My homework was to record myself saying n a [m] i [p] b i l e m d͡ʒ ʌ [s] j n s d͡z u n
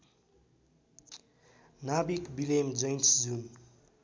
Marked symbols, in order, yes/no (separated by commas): no, no, no